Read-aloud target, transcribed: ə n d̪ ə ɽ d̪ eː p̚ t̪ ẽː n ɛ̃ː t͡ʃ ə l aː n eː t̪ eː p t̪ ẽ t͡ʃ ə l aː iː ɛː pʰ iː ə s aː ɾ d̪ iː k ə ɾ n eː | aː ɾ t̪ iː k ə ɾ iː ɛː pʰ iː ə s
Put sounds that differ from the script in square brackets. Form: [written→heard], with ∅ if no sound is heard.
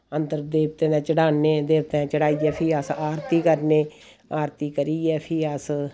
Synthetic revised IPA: ə n d̪ ə [ɽ→ɾ] d̪ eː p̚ t̪ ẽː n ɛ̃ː t͡ʃ ə [l→ɽ] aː n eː [t̪→d̪] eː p t̪ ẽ t͡ʃ ə [l→ɽ] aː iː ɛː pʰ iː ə s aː ɾ [d̪→t̪] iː k ə ɾ n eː | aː ɾ t̪ iː k ə ɾ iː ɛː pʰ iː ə s